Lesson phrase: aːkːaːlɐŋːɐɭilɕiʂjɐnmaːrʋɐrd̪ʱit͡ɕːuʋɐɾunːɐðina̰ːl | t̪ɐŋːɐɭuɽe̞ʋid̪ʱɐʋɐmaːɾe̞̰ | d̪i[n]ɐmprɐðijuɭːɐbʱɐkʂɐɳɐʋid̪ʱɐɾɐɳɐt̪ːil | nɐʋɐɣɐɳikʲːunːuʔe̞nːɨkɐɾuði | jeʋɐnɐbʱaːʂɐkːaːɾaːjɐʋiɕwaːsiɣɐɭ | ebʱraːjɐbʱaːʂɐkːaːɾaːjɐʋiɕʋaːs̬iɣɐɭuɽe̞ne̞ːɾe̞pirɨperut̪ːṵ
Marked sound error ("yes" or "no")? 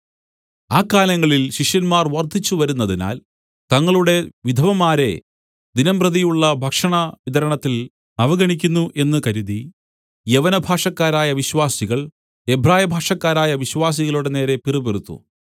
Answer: no